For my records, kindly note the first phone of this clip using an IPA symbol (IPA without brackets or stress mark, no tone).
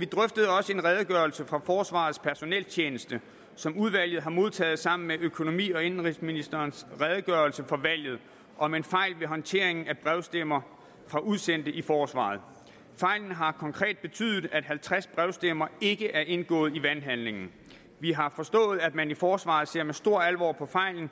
ʋ